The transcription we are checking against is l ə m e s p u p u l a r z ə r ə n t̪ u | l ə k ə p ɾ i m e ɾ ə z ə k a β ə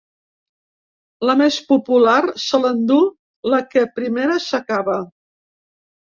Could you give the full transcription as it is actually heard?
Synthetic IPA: l ə m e s p u p u l a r s ə l ə n d̪ u | l ə k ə p ɾ i m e ɾ ə s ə k a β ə